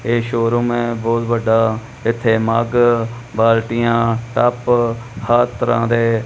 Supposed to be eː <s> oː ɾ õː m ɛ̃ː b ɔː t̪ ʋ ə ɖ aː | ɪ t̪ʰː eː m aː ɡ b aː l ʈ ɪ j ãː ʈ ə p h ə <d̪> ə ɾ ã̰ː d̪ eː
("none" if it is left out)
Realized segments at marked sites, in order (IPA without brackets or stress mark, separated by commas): ʃ, t̪